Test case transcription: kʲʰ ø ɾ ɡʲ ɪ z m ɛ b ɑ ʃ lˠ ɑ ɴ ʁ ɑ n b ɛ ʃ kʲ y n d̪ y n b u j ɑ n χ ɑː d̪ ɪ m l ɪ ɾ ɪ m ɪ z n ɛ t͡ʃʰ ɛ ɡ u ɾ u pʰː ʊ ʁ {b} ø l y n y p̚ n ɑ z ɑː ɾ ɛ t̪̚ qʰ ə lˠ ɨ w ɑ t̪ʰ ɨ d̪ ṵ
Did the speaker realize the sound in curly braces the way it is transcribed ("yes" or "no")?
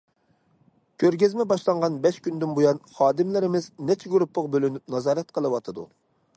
yes